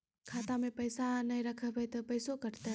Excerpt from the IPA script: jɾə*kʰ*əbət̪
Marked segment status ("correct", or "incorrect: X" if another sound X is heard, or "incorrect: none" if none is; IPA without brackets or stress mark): correct